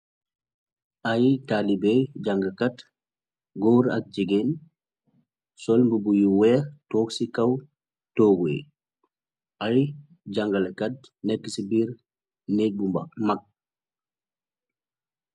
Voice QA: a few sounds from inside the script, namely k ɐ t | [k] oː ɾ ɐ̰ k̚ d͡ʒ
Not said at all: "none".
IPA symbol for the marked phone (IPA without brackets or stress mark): ɡ